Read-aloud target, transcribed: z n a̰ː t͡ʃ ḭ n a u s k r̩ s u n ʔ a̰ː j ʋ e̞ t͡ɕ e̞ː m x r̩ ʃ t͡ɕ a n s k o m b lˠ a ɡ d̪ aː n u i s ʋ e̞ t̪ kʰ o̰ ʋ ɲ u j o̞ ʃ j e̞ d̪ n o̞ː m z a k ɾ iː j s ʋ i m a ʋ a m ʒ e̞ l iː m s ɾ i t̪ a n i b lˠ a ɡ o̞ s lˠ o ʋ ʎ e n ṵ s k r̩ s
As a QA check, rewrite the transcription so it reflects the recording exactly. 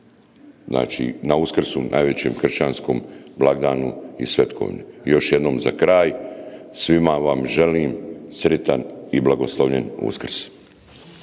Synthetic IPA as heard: z n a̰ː t͡ʃ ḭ n a u s k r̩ s u n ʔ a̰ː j ʋ e̞ t͡ɕ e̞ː m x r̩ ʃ t͡ɕ a n s k o m b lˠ a ɡ d̪ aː n u i s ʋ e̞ t̪ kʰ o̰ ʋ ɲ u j o̞ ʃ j e̞ d̪ n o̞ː m z a k ɾ aː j s ʋ i m a ʋ a m ʒ e̞ l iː m s ɾ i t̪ a n i b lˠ a ɡ o̞ s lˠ o ʋ ʎ e n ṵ s k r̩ s